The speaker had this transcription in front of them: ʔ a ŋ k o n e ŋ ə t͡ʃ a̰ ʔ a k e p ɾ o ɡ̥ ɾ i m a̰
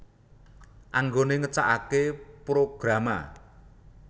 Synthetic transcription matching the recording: ʔ a ŋ ɡ o n e ŋ ə t͡ʃ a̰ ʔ a k e p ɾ o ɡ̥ ɾ a m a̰